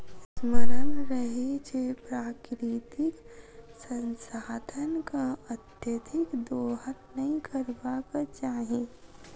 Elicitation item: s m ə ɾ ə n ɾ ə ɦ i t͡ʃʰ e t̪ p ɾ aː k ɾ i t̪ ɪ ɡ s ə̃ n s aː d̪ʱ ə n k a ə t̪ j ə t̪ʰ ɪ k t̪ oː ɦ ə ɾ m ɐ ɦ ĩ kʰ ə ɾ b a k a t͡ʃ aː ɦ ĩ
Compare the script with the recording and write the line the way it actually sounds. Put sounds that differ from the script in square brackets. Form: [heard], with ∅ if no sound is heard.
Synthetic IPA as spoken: s m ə ɾ ə n ɾ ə ɦ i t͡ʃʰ e [∅] p ɾ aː k ɾ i t̪ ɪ [k] s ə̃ n s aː d̪ʱ ə n k a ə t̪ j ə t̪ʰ ɪ k [d̪] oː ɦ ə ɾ [n] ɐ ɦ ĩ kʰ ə ɾ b a k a t͡ʃ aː ɦ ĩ